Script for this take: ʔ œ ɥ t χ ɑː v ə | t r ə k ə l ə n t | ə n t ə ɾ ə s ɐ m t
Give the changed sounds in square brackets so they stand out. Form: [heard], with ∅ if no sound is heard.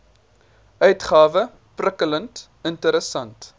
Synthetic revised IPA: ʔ œ ɥ t χ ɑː v ə | [p] r ə k ə l ə n t | ə n t ə ɾ ə s ɐ [n] t

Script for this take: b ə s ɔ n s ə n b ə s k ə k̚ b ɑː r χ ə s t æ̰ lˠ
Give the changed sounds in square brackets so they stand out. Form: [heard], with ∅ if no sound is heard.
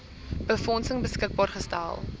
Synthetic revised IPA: b ə [f] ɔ n s ə [ŋ] b ə s k ə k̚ b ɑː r χ ə s t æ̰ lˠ

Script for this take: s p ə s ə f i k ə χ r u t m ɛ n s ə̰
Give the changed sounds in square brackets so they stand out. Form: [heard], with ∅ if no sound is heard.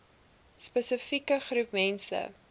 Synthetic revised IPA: s p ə s ə f i k ə χ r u [p] m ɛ n s ə̰

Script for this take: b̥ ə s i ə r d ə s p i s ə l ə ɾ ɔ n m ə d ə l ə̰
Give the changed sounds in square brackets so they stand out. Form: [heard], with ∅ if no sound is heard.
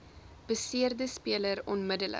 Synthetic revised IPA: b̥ ə s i ə r d ə s p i [∅] ə l ə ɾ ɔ n m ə d ə l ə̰

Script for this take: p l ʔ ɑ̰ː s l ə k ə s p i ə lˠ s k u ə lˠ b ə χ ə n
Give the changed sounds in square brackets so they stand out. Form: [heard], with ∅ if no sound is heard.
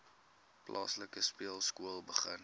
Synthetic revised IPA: p l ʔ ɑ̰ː s l ə k ə s p i ə lˠ s k u ə lˠ b ə χ ə n

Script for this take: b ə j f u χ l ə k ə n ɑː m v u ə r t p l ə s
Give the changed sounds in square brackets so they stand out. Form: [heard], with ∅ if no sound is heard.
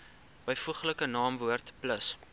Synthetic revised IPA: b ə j f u χ l ə k ə n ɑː m v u ə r t p l ə s

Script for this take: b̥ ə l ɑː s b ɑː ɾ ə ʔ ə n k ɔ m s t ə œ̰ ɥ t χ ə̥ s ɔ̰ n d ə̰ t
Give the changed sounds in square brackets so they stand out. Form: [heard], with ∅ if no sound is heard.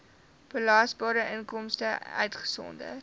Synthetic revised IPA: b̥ ə l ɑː s b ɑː ɾ ə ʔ ə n k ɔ m s t ə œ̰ ɥ t χ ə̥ s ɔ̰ n d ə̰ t

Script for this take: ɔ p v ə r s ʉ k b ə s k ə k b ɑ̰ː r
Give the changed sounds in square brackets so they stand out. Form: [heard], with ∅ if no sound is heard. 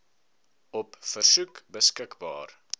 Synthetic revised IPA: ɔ p [f] ə r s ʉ k b ə s k ə k b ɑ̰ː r

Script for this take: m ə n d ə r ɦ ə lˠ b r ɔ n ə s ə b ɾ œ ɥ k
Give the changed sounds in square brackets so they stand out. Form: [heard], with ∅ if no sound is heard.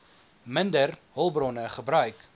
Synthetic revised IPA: m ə n d ə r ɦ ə lˠ b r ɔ n ə [χ] ə b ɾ œ ɥ k

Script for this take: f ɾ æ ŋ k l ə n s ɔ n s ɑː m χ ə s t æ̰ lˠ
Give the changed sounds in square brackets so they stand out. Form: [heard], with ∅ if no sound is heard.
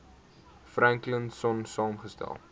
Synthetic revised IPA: f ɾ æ ŋ k l ə n s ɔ n s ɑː m χ ə s t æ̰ lˠ

